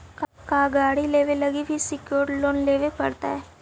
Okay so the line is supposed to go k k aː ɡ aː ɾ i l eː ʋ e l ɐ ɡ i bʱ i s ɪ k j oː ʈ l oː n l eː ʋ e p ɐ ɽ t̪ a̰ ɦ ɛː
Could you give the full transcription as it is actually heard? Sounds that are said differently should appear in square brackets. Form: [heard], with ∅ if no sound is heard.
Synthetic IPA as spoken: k k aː ɡ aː [ɽ] i l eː ʋ e l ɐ ɡ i bʱ i s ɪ k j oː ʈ l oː n l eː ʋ e p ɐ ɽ t̪ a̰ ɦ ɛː